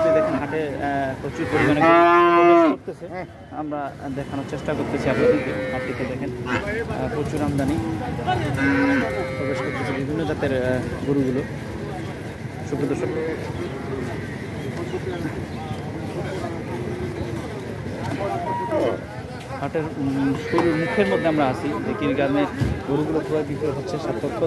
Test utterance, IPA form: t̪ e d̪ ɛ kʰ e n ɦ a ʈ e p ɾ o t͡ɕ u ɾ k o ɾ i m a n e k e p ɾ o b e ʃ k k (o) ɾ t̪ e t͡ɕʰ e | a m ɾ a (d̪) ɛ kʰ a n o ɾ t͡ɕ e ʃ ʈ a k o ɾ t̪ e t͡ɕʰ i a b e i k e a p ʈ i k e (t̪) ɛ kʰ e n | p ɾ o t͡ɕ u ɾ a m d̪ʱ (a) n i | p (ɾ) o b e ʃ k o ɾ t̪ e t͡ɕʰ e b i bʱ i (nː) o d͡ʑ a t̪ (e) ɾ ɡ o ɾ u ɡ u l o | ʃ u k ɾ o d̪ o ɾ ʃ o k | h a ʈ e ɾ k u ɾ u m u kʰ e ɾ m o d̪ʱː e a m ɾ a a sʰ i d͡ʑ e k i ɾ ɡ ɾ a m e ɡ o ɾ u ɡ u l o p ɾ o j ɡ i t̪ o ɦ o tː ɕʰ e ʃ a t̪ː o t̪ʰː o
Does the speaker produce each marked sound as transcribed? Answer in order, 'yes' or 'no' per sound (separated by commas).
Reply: yes, yes, no, yes, yes, yes, yes